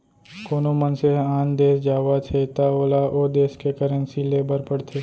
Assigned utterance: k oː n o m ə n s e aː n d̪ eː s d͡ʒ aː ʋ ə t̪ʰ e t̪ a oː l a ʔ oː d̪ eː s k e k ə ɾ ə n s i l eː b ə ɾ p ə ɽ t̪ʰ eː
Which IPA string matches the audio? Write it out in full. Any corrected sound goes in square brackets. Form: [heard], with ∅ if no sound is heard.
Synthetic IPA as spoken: k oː n o m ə n s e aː n d̪ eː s d͡ʒ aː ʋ [a] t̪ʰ e t̪ a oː l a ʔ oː d̪ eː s k e k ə ɾ ə n s i l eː b ə ɾ p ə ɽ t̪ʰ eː

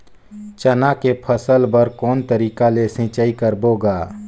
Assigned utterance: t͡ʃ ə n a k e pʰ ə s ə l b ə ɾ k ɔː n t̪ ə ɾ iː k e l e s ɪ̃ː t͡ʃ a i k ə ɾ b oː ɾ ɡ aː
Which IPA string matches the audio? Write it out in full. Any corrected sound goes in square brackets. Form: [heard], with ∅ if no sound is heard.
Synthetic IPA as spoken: t͡ʃ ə n a k e pʰ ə s ə l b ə ɾ k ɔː n t̪ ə ɾ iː k [a] l e s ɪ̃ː t͡ʃ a i k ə ɾ b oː [∅] ɡ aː

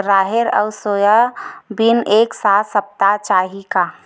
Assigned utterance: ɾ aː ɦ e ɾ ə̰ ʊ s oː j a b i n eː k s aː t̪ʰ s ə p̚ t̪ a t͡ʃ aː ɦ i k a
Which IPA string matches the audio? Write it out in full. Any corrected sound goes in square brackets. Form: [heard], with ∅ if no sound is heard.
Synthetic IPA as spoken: ɾ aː ɦ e ɾ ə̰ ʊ s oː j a b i n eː k s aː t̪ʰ s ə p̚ t̪ a t͡ʃ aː ɦ i k a

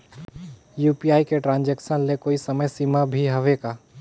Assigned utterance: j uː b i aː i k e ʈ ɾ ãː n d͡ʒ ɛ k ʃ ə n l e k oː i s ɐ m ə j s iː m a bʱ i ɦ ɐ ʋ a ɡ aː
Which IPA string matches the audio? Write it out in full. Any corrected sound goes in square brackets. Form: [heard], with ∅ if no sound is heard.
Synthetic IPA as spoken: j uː [p] i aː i k e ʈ ɾ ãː n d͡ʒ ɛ k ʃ ə n l e k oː i s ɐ m ə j s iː m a bʱ i ɦ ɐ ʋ [e] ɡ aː

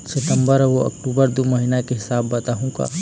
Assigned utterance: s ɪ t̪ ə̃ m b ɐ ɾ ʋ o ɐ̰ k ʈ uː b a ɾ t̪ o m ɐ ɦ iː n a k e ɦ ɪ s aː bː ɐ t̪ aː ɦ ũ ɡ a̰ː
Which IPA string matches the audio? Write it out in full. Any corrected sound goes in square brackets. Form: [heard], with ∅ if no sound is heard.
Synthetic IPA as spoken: s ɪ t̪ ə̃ m b [ə] ɾ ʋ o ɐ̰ k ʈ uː b [ə] ɾ [d̪] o m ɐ ɦ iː n a k e ɦ ɪ s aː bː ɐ t̪ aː ɦ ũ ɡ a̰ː

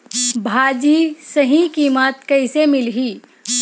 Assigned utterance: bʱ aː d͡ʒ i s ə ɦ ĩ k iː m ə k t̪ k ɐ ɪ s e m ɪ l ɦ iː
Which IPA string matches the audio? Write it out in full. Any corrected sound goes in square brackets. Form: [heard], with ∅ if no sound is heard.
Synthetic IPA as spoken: bʱ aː d͡ʒ i s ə ɦ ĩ k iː m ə [∅] t̪ k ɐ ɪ s e m ɪ l ɦ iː

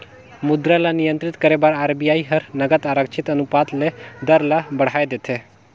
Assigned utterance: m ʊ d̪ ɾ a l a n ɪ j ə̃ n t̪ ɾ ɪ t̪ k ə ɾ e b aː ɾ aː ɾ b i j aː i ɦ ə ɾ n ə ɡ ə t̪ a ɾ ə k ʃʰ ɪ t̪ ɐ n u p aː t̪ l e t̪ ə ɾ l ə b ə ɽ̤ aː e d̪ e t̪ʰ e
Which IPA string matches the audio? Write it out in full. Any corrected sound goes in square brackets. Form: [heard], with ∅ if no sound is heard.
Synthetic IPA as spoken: m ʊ d̪ ɾ a l a n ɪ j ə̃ n t̪ ɾ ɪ t̪ k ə ɾ e b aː ɾ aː ɾ b i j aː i ɦ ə ɾ n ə ɡ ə t̪ a ɾ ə k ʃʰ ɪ t̪ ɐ n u p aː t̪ l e [d̪] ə ɾ l [a] b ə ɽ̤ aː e d̪ e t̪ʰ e

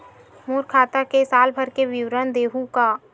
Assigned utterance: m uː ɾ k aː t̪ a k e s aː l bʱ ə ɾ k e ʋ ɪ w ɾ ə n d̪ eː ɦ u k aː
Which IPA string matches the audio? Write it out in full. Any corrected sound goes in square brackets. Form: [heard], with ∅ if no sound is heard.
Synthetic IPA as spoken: m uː ɾ [kʰ] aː t̪ a k e s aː l bʱ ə ɾ k e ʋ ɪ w ɾ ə n d̪ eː ɦ u k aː

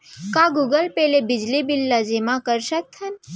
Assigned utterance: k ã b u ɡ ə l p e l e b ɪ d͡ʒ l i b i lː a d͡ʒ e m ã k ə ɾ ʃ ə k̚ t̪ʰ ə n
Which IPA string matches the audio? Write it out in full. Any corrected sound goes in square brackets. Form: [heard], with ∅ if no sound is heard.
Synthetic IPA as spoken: k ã [ɡ] u ɡ ə l p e l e b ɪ d͡ʒ l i b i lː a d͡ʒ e m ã k ə ɾ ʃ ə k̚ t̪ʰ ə n

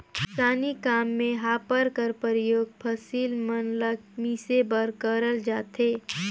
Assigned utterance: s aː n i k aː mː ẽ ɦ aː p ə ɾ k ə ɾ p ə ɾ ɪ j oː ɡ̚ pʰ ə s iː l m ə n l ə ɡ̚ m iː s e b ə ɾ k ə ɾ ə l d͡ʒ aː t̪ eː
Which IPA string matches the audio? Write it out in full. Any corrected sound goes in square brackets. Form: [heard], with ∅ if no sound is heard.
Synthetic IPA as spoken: s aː n i k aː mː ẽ ɦ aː p ə ɾ k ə ɾ p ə ɾ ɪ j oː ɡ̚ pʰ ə s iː l m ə n l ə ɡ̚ m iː s e b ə ɾ k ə ɾ ə l d͡ʒ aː t̪ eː

